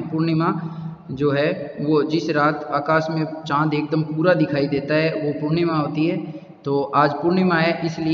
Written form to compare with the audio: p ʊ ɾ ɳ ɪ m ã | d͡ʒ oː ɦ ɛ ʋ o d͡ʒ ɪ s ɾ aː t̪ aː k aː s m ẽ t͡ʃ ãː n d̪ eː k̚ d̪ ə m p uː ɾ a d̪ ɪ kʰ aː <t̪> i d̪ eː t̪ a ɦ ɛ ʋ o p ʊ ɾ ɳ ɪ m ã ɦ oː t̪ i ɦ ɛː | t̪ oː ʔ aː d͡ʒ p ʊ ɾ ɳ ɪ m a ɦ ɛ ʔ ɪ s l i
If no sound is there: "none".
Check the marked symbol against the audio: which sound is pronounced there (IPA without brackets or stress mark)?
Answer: none